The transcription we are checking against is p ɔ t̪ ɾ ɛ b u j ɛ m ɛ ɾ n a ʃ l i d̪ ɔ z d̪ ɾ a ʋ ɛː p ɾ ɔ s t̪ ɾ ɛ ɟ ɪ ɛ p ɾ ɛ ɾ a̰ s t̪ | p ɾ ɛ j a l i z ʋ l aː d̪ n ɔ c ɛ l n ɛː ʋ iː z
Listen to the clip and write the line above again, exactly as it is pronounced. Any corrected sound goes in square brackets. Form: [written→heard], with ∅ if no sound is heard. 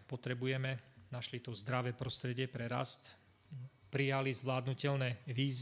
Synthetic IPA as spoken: p ɔ t̪ ɾ ɛ b u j ɛ m ɛ [ɾ→∅] n a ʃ l i [d̪→t̪] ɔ z d̪ ɾ a ʋ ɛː p ɾ ɔ s t̪ ɾ ɛ ɟ ɪ ɛ p ɾ ɛ ɾ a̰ s t̪ | p ɾ [ɛ→i] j a l i z ʋ l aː d̪ n [ɔ→u] c ɛ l n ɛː ʋ iː z